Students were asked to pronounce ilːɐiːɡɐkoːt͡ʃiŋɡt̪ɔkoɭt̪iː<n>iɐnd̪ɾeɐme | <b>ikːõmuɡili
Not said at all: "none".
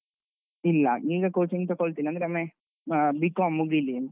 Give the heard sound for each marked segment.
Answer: n, b

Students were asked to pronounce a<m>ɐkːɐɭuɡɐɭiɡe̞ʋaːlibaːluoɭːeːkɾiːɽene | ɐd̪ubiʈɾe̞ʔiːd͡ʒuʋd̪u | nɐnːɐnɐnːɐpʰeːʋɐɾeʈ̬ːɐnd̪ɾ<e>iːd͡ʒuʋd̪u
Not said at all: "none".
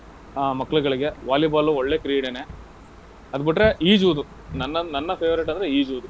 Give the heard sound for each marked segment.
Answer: m, e

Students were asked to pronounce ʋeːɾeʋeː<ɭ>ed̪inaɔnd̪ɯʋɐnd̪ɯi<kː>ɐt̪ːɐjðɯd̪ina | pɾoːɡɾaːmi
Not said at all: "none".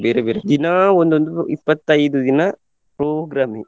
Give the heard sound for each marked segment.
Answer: ɾ, pː

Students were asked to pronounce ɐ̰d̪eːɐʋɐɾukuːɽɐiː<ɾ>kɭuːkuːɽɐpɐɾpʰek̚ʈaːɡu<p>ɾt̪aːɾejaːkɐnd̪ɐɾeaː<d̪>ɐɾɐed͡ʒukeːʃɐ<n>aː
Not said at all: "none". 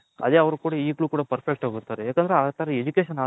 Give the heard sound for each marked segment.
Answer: none, none, t̪, n

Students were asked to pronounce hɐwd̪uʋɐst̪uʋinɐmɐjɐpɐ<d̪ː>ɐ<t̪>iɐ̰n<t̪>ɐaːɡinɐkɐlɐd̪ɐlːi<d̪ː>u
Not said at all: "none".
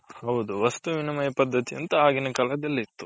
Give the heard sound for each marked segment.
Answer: d̪ː, t̪, t̪, t̪ː

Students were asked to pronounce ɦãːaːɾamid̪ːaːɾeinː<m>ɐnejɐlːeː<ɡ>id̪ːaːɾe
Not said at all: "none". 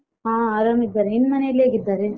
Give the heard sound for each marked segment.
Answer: m, ɡ

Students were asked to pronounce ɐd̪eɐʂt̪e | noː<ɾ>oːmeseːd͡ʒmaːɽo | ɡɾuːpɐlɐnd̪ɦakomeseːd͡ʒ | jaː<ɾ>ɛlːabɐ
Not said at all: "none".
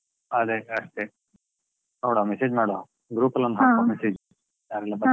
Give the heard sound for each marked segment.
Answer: ɽ, ɾ

